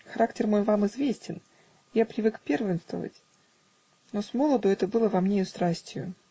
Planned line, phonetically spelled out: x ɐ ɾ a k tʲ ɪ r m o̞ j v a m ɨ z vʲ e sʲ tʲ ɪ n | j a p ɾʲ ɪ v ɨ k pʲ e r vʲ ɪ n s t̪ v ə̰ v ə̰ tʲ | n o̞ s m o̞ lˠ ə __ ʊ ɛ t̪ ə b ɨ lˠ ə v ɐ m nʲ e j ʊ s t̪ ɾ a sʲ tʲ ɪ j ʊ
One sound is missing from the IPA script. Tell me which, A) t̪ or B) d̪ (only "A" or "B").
B